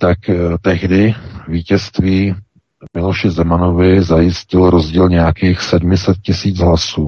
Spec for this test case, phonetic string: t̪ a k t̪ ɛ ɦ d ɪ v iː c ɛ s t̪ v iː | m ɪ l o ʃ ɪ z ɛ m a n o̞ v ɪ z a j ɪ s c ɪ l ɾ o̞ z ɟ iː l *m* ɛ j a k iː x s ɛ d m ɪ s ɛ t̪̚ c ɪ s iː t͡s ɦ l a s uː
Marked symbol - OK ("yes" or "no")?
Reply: no